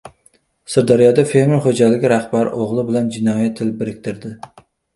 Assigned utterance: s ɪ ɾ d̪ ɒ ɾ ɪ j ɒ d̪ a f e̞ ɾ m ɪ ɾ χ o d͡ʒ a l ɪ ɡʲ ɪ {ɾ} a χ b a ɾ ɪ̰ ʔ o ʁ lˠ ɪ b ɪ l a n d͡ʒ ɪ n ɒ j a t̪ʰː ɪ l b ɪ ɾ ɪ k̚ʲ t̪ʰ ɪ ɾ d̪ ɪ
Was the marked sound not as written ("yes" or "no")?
no